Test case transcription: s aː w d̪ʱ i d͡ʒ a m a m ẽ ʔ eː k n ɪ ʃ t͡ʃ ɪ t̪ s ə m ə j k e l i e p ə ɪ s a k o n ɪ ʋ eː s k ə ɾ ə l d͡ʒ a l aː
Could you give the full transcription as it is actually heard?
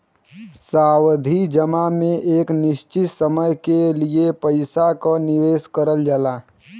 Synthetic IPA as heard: s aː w d̪ʱ i d͡ʒ ə m a m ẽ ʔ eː k n ɪ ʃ t͡ʃ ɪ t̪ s ə m ə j k e l i e p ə ɪ s a k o n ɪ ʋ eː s k ə ɾ ə l d͡ʒ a l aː